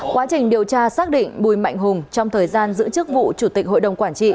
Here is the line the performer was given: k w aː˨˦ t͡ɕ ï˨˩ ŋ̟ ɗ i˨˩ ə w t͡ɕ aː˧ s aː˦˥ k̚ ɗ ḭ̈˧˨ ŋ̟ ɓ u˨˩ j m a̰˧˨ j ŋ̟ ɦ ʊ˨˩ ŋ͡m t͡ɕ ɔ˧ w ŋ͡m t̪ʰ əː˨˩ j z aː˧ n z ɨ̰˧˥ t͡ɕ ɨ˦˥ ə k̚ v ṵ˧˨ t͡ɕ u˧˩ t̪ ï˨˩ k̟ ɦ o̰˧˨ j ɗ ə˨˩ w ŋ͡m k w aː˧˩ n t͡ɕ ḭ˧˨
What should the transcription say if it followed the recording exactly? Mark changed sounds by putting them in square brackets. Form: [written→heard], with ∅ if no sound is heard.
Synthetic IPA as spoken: k w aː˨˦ t͡ɕ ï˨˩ ŋ̟ ɗ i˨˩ ə w t͡ɕ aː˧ s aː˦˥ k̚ ɗ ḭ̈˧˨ ŋ̟ ɓ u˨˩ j m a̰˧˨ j ŋ̟ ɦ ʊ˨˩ ŋ͡m t͡ɕ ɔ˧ w ŋ͡m t̪ʰ əː˨˩ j z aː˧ n z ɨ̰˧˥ t͡ɕ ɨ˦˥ ə k̚ v ṵ˧˨ t͡ɕ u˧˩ t̪ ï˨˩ k̟ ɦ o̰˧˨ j ɗ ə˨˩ w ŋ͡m k w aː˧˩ n t͡ɕ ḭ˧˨